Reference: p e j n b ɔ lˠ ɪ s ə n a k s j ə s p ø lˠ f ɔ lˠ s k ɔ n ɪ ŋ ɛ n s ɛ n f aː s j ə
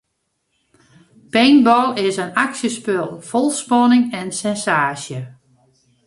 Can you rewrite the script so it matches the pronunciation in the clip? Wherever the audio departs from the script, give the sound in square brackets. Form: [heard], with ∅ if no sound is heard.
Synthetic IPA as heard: p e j n b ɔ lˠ ɪ s ə n a k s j ə s p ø lˠ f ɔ lˠ s [p] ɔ n ɪ ŋ ɛ n s ɛ n [s] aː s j ə

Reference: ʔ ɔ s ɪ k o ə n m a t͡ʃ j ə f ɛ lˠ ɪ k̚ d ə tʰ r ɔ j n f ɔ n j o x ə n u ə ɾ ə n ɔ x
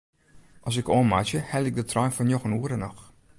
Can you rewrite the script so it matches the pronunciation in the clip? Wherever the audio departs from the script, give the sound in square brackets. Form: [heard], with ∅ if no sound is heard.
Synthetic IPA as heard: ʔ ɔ s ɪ k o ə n m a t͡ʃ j ə [h] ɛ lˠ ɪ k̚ d ə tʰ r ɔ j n f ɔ n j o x ə n u ə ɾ ə n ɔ x

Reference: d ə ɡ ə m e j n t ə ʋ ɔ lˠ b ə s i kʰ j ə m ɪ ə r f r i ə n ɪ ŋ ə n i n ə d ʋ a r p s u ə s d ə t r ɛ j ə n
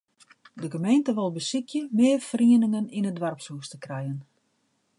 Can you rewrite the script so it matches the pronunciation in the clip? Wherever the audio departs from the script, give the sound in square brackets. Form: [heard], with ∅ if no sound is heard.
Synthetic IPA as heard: d ə ɡ ə m e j n t ə ʋ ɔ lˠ b ə s i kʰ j ə m ɪ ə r f r i ə n ɪ ŋ ə n i n ə d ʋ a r p s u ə s [t] ə [k] r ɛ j ə n

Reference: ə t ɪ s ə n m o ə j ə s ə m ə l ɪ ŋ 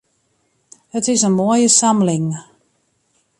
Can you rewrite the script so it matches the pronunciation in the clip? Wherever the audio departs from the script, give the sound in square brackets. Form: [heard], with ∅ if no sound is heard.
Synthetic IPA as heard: ə t ɪ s ə n m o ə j ə s [a] m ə l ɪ ŋ

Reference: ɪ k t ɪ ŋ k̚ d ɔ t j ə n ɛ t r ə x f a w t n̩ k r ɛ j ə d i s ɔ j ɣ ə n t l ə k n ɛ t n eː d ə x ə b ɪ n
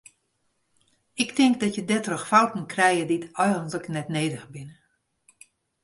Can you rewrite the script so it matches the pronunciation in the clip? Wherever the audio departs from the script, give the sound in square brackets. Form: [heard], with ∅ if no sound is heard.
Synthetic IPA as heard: ɪ k t ɪ ŋ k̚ d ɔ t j ə [d] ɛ t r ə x f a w t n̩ k r ɛ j ə d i [t] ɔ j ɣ ə n t l ə k n ɛ t n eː d ə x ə b ɪ n

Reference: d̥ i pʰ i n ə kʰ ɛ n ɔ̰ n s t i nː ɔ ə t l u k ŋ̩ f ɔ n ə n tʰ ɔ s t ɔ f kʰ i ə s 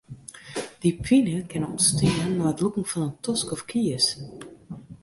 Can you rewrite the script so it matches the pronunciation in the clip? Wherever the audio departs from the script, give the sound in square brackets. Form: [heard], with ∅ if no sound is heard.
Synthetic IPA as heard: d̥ i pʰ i n ə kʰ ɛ n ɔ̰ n s t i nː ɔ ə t l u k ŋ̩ f ɔ n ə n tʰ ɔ s [k] ɔ f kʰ i ə s

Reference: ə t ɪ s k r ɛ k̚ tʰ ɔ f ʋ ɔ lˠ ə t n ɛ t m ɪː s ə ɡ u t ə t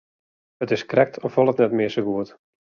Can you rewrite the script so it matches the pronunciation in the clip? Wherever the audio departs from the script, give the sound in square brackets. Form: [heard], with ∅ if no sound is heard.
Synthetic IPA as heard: ə t ɪ s k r ɛ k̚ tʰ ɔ f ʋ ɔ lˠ ə t n ɛ t m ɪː s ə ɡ u [∅] ə t

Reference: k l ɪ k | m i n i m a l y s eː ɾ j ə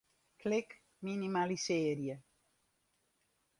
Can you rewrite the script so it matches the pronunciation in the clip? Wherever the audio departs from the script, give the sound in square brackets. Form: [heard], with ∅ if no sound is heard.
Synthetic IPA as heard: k l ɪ k | m i n i m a l [i] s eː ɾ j ə

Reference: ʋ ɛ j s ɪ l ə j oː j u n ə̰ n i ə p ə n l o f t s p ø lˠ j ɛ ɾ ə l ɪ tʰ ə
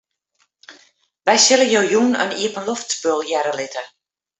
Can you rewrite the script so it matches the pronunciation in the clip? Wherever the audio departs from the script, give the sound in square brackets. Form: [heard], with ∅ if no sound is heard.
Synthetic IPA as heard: ʋ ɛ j s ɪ l ə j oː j u n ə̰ n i ə p ə n l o f t s p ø lˠ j ɛ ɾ ə l ɪ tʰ ə

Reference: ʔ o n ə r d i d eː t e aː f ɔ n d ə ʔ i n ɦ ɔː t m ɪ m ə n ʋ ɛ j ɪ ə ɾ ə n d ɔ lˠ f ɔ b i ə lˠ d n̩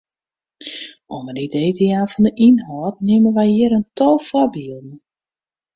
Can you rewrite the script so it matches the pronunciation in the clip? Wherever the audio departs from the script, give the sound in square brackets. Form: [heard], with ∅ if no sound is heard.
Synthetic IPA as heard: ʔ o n ə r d i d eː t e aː f ɔ n d ə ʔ i n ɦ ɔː t [n] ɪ m ə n ʋ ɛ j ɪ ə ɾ ə n [t] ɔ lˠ f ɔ b i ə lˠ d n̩

